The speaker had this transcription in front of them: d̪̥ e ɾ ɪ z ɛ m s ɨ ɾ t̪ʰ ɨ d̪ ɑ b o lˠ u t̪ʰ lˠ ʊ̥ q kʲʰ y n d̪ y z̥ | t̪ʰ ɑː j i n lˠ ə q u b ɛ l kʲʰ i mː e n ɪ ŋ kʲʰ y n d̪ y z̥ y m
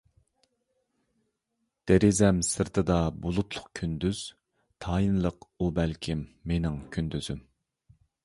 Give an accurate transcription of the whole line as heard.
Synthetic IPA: d̪̥ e ɾ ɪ z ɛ m s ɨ ɾ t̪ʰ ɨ d̪ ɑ b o lˠ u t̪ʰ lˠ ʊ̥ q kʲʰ y n d̪ y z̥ | t̪ʰ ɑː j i n lˠ ə q u b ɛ l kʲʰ i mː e n ɪ ŋ kʲʰ y n d̪ y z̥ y m